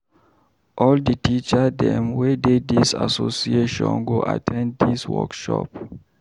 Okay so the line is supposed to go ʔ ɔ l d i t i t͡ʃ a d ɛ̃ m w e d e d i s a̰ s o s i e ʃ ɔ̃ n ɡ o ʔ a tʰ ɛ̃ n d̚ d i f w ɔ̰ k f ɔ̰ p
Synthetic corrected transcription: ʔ ɔ l d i t i t͡ʃ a d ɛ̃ m w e d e d i s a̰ s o s i e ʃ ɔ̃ n ɡ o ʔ a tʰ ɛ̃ n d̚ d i s w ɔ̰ k ʃ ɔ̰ p